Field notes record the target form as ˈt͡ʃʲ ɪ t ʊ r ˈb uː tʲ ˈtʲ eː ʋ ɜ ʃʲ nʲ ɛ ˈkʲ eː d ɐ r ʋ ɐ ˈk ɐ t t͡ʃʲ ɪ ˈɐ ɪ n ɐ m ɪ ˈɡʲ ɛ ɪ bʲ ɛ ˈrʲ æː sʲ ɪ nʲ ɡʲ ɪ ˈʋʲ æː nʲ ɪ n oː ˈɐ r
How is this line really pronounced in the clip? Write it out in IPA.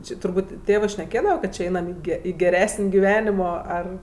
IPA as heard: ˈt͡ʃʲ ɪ t ʊ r ˈb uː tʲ ˈtʲ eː ʋ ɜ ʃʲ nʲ ɛ ˈkʲ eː d ɐ ʋ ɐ ˈk ɐ t t͡ʃʲ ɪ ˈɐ ɪ n ɐ m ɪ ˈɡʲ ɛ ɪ ɡʲ ɛ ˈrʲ æː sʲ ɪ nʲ ɡʲ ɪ ˈʋʲ æː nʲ ɪ m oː ˈɐ r